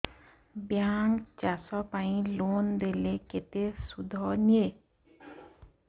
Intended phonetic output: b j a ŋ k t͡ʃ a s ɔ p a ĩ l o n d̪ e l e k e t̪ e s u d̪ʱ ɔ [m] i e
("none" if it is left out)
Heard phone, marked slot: n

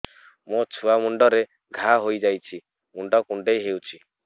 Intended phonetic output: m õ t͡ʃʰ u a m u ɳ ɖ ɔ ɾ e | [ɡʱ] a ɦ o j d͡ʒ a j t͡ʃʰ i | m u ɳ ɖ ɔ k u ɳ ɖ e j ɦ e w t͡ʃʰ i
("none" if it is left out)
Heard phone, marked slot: ɡʱ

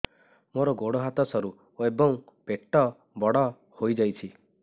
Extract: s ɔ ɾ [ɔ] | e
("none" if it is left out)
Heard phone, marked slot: u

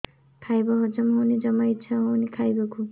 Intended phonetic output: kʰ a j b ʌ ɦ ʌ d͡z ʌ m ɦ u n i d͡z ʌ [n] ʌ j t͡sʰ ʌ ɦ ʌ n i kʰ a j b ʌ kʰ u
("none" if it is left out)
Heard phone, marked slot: m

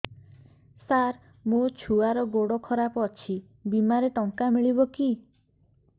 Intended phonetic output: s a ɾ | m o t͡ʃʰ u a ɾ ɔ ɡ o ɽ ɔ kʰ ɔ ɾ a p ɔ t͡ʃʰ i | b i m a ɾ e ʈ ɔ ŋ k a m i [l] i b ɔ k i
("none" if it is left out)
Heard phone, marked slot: ɭ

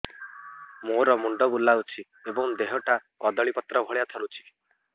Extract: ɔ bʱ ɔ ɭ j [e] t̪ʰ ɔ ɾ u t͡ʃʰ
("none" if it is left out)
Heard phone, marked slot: a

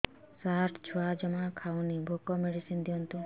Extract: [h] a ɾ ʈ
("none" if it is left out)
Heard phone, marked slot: s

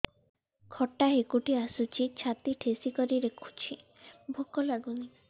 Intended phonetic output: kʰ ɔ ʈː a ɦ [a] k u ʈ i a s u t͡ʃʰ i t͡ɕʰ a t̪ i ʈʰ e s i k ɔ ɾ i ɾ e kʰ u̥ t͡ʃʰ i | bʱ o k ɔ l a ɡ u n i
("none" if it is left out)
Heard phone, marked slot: e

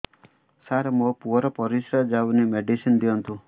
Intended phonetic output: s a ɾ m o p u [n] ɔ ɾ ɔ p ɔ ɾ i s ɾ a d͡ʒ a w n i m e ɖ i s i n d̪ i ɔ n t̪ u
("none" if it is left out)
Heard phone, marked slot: none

